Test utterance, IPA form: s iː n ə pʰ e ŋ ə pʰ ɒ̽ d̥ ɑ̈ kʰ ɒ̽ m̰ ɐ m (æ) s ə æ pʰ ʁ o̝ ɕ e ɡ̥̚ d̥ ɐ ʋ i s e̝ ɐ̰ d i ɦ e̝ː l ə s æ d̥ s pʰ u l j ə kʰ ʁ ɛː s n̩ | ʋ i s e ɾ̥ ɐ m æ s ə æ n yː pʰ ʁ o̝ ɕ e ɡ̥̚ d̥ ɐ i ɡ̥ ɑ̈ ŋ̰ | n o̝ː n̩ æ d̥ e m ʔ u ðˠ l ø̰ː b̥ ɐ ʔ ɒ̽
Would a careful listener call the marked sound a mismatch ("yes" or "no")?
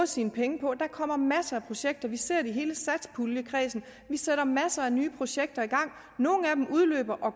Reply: no